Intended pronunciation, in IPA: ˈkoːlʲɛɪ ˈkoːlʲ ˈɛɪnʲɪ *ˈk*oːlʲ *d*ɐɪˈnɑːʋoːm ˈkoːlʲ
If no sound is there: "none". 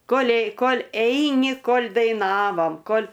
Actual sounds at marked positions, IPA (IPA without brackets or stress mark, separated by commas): k, d